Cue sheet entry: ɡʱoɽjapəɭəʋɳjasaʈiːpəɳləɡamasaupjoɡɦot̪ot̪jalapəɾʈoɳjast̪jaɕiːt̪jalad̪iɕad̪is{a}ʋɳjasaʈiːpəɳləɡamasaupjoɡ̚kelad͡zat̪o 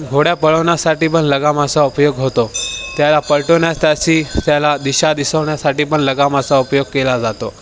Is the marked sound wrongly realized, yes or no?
yes